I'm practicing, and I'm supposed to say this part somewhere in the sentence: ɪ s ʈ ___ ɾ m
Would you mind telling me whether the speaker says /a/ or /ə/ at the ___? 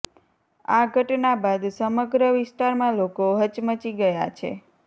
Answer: a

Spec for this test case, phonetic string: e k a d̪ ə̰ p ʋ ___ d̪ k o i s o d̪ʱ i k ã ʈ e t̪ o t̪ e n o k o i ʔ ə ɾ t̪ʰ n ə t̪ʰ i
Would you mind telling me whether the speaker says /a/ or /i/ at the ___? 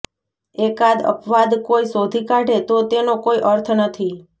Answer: a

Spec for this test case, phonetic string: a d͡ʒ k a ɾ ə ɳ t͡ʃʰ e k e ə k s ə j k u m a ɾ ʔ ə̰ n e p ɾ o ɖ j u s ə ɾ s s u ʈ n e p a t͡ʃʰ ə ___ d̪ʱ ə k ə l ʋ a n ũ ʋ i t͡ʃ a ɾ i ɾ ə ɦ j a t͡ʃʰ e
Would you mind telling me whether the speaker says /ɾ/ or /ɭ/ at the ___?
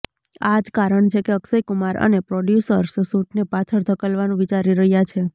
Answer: ɾ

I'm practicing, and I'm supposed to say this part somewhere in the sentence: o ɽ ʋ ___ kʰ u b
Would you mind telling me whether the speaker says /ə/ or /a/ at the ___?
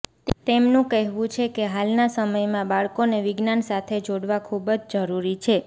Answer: a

